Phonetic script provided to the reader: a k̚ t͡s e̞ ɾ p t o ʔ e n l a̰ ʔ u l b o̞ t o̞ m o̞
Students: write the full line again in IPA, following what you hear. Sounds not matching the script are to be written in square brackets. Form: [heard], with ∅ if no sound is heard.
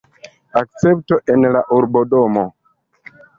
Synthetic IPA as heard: a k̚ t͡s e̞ [∅] p t o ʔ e n l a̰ ʔ u [ɾ] b o̞ [d] o̞ m o̞